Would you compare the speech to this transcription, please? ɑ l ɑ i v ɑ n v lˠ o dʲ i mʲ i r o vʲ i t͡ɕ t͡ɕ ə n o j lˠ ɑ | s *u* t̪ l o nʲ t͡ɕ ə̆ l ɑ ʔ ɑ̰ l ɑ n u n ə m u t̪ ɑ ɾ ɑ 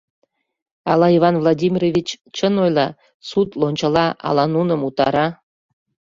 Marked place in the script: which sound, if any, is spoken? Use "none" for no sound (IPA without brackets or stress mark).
u